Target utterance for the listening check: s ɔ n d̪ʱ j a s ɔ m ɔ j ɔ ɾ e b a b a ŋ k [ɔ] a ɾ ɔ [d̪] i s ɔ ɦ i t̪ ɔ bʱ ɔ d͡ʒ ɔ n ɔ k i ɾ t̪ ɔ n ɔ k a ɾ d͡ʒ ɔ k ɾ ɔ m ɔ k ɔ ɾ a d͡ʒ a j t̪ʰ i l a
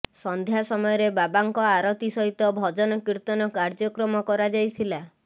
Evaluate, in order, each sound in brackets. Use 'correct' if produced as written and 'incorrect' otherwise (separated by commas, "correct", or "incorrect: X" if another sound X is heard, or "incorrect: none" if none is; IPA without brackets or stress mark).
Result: correct, incorrect: t̪